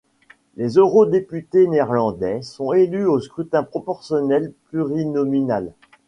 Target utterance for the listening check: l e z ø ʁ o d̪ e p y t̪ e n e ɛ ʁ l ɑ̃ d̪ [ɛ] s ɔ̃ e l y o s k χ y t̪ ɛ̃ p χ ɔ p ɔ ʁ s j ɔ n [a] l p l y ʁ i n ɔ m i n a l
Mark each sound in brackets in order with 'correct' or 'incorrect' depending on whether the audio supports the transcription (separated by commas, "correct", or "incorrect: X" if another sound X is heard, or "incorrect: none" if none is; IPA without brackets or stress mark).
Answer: correct, incorrect: ɛ